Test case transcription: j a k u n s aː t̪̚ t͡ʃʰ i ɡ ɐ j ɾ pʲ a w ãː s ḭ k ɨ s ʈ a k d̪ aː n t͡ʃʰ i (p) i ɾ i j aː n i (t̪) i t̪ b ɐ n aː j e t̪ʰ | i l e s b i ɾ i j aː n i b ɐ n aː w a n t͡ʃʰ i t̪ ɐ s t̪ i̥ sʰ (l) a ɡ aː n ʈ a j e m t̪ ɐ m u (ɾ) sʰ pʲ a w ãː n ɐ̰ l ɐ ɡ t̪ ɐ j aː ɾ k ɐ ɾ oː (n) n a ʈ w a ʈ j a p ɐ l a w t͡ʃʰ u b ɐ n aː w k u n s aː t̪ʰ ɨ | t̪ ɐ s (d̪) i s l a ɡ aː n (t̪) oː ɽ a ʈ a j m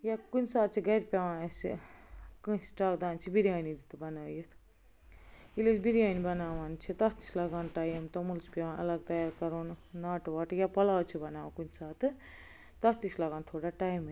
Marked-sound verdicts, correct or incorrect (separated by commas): incorrect, incorrect, correct, incorrect, correct, incorrect, incorrect